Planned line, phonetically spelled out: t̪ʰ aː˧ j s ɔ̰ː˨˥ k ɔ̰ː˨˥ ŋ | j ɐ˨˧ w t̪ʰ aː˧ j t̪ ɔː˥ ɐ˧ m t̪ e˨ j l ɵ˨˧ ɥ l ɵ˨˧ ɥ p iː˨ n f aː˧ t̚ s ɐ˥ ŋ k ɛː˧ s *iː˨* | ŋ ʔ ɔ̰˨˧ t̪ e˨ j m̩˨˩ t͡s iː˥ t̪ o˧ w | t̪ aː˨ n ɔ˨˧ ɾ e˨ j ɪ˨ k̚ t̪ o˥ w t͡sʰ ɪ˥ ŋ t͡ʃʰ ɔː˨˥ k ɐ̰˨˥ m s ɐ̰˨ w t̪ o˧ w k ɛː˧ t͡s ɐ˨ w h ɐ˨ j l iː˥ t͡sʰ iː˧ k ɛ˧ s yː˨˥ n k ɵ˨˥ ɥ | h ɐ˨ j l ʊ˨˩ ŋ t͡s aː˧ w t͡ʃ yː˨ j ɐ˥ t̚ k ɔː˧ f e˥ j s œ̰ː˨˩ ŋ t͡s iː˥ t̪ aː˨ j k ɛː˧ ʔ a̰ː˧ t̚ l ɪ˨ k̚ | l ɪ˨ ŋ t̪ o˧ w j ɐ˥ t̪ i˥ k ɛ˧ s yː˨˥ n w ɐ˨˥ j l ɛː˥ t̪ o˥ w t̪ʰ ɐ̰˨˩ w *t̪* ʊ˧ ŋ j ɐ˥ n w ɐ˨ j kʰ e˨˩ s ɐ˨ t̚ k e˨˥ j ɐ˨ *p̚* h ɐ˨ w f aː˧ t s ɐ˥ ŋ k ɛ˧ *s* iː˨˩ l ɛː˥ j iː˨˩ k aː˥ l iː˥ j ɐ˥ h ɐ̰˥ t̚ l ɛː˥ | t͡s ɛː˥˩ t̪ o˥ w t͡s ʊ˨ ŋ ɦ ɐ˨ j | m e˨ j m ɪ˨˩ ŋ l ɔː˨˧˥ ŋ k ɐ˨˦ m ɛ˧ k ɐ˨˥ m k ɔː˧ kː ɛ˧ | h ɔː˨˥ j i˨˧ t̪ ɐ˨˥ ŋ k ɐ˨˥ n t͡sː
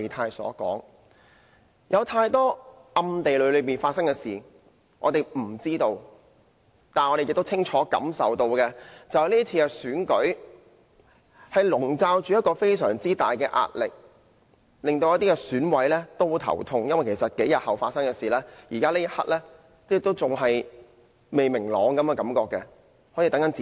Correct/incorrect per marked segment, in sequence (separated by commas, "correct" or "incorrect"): correct, incorrect, incorrect, correct